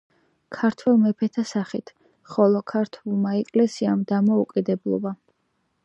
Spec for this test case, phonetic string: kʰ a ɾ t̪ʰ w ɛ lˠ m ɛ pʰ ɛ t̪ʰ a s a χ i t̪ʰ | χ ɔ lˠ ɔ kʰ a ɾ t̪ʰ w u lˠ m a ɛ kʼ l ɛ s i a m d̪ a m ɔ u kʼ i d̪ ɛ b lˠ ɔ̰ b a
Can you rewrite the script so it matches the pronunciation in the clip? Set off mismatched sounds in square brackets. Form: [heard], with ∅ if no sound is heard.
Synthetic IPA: kʰ a ɾ t̪ʰ w ɛ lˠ m ɛ pʰ ɛ t̪ʰ a s a χ i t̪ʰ | χ ɔ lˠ ɔ kʰ a ɾ t̪ʰ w u lˠ m a ɛ kʼ l ɛ s i a m d̪ a m ɔ u kʼ i d̪ ɛ b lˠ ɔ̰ b a